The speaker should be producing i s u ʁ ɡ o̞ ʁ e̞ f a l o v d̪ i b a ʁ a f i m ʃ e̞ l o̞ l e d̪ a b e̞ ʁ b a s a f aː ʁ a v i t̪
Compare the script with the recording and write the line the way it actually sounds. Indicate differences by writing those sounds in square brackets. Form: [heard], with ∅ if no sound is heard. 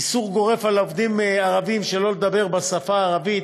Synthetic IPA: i s u ʁ ɡ o̞ ʁ e̞ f a l o v d̪ i [m] a ʁ a [v] i m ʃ e̞ l o̞ l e d̪ a b e̞ ʁ b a s a f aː ʁ a v i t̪